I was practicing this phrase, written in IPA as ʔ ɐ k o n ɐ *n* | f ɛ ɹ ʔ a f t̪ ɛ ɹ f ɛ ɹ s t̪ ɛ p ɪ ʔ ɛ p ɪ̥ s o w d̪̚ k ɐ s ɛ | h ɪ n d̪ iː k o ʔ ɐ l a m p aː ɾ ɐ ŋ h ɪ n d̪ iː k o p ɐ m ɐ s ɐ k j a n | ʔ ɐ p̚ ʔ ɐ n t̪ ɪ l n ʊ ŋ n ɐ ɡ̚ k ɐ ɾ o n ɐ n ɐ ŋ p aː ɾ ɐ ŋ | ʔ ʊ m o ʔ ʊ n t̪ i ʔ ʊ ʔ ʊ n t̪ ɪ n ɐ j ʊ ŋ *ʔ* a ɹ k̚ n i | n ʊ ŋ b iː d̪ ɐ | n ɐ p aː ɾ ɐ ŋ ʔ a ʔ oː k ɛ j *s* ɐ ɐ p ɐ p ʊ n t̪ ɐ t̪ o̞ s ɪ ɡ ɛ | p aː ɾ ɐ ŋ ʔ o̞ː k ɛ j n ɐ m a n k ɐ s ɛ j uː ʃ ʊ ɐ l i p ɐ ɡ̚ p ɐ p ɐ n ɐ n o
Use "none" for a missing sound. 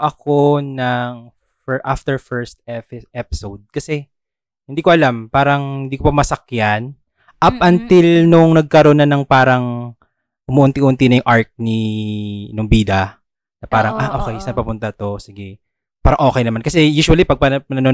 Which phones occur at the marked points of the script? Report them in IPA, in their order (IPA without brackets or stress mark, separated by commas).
ŋ, ʔ, s